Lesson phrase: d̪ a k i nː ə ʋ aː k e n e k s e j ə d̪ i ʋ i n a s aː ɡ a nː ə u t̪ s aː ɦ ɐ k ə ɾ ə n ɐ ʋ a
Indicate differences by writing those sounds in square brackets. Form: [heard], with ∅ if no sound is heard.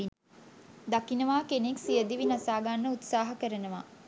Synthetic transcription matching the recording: d̪ a k i [n] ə ʋ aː k e n e k s [i] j ə d̪ i ʋ i n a s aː ɡ a nː ə u t̪ s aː ɦ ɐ k ə ɾ ə n [ə] ʋ a